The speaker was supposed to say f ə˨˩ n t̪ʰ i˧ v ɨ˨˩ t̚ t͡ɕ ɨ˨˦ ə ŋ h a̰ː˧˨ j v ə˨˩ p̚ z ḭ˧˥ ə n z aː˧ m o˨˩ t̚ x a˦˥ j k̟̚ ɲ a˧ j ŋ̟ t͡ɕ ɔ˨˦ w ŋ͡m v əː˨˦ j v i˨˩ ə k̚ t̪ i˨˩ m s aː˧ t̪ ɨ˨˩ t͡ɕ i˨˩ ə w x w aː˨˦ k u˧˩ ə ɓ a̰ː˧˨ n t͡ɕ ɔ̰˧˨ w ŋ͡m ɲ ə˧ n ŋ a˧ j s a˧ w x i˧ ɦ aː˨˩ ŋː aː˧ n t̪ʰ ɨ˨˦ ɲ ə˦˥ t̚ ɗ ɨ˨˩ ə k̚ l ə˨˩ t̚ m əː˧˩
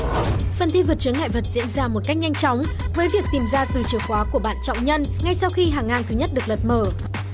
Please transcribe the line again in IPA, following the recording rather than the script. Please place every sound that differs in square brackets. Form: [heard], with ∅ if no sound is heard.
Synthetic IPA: f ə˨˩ n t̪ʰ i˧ v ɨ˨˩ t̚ t͡ɕ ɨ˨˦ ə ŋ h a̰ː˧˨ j v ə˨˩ [t̚] z ḭ˧˥ ə n z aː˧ m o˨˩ t̚ [k] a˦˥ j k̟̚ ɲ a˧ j ŋ̟ t͡ɕ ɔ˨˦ w ŋ͡m v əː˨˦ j v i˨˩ ə k̚ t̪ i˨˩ m [z] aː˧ t̪ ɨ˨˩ t͡ɕ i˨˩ ə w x w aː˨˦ k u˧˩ ə ɓ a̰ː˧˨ n t͡ɕ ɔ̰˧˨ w ŋ͡m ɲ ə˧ n ŋ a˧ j s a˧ w x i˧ ɦ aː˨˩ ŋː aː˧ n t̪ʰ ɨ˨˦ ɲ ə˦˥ t̚ ɗ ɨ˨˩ ə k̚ l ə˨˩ t̚ m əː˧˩